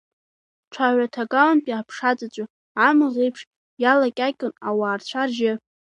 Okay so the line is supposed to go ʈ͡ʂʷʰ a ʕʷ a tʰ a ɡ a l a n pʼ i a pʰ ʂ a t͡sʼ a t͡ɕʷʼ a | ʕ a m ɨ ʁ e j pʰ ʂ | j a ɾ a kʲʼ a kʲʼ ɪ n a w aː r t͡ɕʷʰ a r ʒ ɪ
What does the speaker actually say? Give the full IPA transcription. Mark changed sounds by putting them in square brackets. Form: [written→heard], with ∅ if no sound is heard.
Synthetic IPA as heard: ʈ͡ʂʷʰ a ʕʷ a tʰ a ɡ a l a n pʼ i a pʰ ʂ a t͡sʼ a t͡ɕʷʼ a | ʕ a m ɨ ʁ e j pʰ ʂ | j a [ɾ→l] a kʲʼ a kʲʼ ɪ n a w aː r t͡ɕʷʰ a r ʒ ɪ